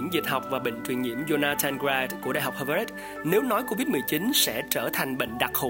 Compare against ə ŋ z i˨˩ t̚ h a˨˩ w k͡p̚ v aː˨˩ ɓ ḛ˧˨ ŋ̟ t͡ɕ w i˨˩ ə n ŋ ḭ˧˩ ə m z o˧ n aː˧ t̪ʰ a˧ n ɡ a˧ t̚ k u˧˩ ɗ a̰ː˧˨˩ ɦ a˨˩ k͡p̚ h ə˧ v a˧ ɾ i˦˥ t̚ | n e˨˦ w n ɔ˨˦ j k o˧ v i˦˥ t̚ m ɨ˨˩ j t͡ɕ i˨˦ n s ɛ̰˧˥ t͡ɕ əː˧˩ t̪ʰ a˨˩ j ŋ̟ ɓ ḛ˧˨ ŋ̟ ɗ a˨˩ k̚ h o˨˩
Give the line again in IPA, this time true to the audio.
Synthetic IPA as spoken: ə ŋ z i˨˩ t̚ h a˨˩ w k͡p̚ v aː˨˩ ɓ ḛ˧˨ ŋ̟ t͡ɕ w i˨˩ ə n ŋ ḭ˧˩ ə m z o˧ n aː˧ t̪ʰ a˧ n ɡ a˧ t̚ k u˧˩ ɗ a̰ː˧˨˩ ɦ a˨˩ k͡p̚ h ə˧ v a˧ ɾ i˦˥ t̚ | n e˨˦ w n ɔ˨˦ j k o˧ v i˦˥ t̚ m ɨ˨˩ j t͡ɕ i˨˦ n s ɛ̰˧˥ t͡ɕ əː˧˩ t̪ʰ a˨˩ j ŋ̟ ɓ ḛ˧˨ ŋ̟ ɗ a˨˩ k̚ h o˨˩